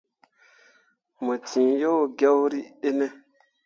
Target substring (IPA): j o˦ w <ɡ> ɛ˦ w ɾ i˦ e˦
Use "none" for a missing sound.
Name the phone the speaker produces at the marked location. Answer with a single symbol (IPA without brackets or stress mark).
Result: ɡ